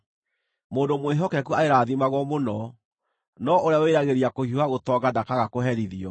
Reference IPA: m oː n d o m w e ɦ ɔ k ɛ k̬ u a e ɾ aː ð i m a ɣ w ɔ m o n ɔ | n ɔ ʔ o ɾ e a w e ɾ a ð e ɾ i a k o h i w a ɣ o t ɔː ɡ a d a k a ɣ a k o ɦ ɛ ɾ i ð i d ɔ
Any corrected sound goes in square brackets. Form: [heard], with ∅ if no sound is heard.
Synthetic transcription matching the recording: m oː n d o m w e ɦ ɔ k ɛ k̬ u a e ɾ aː ð i m a ɣ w ɔ m o n ɔ | n ɔ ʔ o ɾ e a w e ɾ a [ɣ] e ɾ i a k o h i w a ɣ o t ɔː ɡ a d a k a ɣ a k o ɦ ɛ ɾ i ð i [∅] ɔ